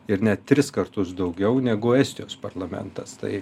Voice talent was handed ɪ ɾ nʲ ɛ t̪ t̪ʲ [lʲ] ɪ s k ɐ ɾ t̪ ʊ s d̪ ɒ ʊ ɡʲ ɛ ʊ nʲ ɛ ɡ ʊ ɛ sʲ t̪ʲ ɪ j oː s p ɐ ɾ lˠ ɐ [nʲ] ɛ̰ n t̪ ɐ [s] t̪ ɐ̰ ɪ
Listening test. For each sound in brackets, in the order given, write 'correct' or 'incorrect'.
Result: incorrect, incorrect, correct

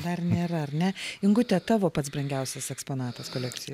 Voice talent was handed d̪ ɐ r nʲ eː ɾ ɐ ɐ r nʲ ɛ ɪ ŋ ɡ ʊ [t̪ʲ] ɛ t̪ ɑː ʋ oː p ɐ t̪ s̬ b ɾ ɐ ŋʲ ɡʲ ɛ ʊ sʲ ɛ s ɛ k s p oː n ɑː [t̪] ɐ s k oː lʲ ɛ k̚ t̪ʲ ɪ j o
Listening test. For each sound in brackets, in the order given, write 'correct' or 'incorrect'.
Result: correct, correct

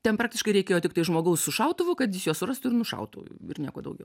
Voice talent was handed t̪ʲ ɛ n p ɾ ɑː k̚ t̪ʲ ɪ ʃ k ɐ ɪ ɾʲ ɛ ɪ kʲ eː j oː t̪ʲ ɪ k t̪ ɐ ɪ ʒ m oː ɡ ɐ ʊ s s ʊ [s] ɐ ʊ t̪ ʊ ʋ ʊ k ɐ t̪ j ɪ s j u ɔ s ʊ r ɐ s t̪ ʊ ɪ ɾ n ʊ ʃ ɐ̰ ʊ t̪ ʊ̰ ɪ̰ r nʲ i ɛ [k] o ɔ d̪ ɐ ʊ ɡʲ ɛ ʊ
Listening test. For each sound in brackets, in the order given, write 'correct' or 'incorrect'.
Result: incorrect, correct

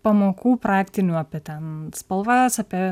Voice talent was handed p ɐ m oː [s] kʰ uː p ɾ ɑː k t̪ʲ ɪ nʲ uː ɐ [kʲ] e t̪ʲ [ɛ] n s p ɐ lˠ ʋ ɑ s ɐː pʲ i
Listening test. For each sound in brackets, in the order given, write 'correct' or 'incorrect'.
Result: incorrect, incorrect, correct

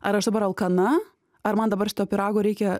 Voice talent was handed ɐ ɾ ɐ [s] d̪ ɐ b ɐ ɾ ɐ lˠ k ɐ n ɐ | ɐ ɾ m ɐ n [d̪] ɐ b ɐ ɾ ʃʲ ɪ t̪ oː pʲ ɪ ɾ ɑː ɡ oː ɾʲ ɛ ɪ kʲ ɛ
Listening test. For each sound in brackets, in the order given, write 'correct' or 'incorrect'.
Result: incorrect, correct

